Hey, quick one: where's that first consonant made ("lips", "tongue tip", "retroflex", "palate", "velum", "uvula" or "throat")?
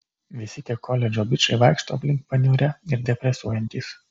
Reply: lips